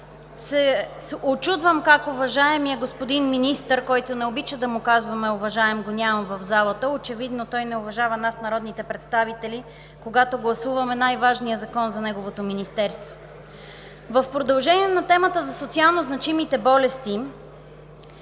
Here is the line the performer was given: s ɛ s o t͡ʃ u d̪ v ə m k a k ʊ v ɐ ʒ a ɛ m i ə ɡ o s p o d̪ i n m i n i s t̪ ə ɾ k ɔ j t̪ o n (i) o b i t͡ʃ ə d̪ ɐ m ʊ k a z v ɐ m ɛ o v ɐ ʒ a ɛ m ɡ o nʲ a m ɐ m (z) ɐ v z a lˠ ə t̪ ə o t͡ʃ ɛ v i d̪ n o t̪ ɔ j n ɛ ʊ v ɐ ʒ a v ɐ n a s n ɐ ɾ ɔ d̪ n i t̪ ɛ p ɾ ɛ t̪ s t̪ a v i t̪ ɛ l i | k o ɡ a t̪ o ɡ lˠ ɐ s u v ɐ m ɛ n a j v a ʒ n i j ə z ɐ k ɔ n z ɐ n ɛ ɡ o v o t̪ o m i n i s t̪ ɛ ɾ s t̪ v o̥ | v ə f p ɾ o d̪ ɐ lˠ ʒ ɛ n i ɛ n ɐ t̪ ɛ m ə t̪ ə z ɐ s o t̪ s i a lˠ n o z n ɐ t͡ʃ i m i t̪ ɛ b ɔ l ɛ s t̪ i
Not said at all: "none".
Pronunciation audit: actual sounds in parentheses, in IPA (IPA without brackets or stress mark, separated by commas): ɛ, v